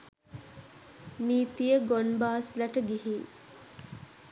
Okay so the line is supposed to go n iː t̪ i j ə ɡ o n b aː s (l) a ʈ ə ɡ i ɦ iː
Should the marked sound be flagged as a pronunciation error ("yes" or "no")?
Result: no